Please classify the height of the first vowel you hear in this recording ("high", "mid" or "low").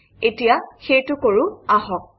mid